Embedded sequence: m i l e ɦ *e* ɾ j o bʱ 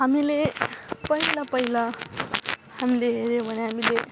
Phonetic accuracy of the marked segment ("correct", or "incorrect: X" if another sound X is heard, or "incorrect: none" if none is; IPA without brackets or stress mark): correct